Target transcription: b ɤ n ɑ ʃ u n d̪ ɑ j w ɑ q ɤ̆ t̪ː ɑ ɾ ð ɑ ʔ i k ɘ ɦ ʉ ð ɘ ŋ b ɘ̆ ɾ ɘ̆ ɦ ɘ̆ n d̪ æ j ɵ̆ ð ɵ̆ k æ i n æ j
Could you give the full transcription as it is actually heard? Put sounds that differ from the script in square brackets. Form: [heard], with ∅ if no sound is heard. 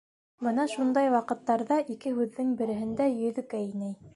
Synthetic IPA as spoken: b ɤ n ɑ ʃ u n d̪ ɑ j w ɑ q ɤ̆ t̪ː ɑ ɾ ð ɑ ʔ i k ɘ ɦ ʉ [ðː] ɘ ŋ b ɘ̆ ɾ ɘ̆ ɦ ɘ̆ n d̪ æ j ɵ̆ ð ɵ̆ k æ i n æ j